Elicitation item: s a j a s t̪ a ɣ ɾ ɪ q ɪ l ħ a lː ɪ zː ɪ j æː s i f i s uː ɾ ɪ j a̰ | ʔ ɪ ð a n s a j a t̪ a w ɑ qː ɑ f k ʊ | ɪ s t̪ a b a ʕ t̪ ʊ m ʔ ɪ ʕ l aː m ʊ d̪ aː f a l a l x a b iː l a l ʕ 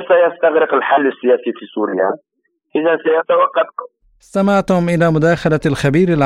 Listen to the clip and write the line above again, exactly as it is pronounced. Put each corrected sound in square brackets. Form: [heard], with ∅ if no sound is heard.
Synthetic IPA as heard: s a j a s t̪ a ɣ ɾ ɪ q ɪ l ħ a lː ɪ [sː] ɪ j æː s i f i s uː ɾ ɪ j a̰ | ʔ ɪ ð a n s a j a t̪ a w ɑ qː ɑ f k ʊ | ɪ s t̪ a [m] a ʕ t̪ ʊ m ʔ ɪ [∅] l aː m ʊ d̪ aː [x] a l a l x a b iː [ɾ] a l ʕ